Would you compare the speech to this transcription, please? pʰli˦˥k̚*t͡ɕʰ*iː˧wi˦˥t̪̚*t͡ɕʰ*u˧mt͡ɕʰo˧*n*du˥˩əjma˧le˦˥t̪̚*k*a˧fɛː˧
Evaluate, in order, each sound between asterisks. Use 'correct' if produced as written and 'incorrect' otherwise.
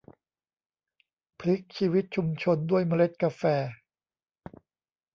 correct, correct, correct, correct

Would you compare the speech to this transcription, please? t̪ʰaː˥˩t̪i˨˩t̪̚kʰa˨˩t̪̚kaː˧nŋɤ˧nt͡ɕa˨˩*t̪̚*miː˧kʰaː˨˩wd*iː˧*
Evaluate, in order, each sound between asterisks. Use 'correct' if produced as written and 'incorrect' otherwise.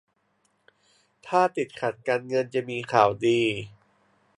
incorrect, correct

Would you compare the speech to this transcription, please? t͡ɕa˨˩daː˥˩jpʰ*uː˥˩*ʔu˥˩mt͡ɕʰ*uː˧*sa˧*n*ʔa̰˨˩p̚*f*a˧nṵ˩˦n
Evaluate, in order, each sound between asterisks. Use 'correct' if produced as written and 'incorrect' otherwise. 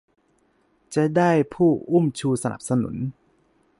correct, correct, correct, incorrect

